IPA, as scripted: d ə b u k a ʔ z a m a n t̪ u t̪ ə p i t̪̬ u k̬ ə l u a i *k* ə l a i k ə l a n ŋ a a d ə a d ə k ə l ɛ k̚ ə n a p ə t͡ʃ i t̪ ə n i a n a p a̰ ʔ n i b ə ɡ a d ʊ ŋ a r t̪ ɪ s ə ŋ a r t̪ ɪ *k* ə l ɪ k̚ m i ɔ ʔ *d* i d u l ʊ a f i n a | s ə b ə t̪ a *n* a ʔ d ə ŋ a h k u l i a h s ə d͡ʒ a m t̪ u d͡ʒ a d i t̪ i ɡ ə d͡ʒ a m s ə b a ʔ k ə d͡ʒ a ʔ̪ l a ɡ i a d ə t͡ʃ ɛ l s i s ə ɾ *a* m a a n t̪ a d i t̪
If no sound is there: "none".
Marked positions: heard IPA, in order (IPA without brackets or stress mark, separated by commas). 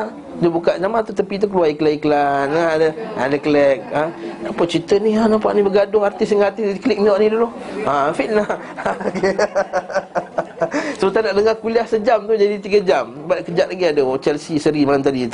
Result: k, k, n, n, i